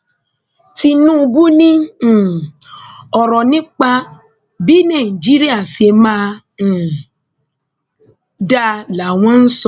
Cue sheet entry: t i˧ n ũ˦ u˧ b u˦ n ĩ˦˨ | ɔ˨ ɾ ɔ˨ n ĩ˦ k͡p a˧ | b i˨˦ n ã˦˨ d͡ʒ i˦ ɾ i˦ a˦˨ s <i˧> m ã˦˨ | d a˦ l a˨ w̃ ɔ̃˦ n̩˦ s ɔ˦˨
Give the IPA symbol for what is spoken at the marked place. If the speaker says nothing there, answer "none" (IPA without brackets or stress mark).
e˧